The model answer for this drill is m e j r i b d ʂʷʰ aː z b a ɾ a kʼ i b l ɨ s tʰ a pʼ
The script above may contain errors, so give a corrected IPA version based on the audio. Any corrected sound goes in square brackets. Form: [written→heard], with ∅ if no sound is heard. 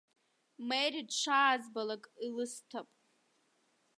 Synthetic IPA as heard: m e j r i [b→∅] d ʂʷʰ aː z b a [ɾ→l] a kʼ i [b→∅] l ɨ s tʰ a pʼ